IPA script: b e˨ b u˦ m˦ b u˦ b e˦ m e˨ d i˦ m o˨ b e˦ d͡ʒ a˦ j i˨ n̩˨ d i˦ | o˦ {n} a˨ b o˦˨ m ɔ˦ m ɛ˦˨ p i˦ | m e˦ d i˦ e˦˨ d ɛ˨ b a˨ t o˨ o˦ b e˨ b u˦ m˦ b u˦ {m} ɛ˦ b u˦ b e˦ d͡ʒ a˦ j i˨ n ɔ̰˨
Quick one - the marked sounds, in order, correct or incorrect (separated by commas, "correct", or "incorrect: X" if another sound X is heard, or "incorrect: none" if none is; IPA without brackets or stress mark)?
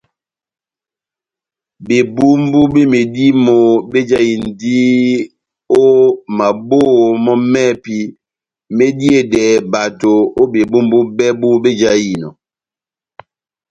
incorrect: m, incorrect: b